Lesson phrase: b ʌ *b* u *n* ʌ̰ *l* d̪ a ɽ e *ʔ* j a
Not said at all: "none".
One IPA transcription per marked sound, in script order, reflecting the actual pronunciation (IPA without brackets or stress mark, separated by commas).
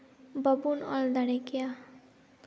b, n, l, k